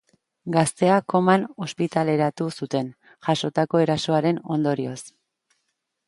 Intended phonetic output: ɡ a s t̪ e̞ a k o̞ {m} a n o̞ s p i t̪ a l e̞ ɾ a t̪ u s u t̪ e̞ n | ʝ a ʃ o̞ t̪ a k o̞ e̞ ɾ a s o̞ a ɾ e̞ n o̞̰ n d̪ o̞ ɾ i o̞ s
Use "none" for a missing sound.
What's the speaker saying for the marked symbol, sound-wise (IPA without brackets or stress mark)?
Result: m